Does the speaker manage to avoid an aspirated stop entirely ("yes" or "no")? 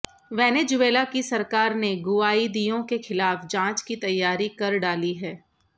yes